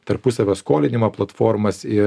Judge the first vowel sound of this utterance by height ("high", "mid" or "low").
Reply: low